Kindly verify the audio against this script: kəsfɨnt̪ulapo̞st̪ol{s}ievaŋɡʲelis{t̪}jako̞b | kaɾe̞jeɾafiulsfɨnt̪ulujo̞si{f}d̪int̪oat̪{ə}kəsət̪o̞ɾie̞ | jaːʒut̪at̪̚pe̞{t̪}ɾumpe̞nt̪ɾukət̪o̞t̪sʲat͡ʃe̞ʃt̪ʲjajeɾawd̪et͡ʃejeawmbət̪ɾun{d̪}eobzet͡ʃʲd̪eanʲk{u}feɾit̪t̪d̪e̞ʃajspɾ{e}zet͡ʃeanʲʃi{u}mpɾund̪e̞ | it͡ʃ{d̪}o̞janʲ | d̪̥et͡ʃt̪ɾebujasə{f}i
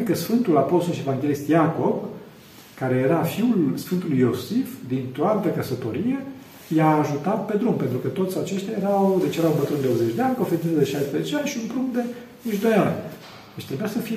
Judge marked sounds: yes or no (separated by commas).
no, yes, yes, yes, no, yes, no, yes, yes, yes, yes